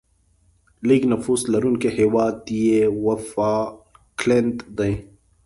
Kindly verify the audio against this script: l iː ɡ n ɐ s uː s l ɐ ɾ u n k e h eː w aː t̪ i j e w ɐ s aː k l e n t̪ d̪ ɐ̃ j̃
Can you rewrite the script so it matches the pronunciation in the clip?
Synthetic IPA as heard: l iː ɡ n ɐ f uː s l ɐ ɾ u n k e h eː w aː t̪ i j e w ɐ f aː k l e n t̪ d̪ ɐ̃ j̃

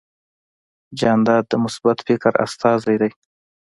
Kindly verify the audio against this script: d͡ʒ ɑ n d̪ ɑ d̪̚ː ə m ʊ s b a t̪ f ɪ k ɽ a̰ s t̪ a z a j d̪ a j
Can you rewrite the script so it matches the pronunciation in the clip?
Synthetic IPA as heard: d͡ʒ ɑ n d̪ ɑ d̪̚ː ə m ʊ s b a t̪ f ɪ k ɾ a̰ s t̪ ɑ z a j d̪ a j

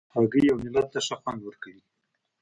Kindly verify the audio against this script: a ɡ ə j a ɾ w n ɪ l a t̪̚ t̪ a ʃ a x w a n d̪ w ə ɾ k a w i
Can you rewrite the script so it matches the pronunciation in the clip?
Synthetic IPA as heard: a ɡ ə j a w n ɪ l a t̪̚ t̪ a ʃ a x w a n d̪ w ə ɾ k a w i

